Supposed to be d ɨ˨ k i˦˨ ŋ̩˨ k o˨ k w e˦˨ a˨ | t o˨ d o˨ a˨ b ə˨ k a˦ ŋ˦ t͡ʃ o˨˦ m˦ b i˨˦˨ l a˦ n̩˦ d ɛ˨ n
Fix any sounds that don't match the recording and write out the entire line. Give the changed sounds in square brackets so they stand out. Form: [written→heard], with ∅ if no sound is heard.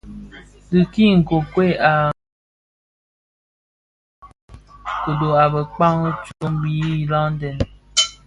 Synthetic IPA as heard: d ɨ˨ k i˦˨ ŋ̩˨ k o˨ k w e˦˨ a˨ | [t→k] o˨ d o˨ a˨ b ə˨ [k→k͡p] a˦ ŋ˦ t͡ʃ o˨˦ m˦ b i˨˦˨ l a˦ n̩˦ d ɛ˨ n